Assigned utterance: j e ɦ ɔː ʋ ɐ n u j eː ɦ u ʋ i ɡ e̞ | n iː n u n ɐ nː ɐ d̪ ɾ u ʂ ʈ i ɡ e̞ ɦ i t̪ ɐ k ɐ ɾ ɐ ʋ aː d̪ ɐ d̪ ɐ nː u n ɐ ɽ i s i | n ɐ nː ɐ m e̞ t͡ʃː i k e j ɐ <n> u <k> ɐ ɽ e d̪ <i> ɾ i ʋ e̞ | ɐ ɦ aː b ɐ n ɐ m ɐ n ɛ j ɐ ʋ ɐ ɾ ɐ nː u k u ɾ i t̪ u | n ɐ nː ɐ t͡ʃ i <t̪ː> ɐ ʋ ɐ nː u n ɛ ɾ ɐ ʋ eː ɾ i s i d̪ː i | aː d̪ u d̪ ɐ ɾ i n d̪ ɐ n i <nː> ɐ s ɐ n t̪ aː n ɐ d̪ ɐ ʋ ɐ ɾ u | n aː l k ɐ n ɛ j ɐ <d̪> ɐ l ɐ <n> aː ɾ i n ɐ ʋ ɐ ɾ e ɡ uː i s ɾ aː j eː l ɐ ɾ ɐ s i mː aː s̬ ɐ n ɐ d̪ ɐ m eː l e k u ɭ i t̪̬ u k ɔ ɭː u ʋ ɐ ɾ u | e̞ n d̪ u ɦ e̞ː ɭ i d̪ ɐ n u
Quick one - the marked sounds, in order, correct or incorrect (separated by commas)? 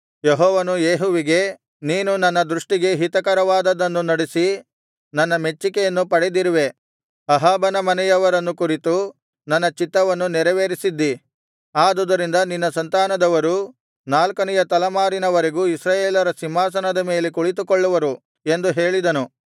incorrect, incorrect, correct, correct, correct, incorrect, incorrect